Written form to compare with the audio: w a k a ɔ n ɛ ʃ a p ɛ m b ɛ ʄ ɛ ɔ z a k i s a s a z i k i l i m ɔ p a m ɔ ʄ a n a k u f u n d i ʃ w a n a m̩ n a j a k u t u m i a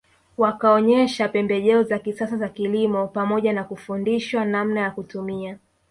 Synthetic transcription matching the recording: w a k a ɔ ɲ ɛ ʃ a p ɛ m b ɛ ʄ ɛ ɔ z a k i s a s a z a k i l i m ɔ p a m ɔ ʄ a n a k u f u n d i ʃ w a n a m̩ n a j a k u t u m i a